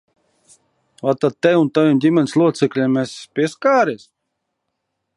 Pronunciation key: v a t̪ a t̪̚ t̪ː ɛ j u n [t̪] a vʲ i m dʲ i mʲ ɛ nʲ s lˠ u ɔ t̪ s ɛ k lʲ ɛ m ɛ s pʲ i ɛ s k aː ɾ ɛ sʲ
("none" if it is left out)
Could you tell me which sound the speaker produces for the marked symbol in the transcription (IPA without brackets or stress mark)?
t̪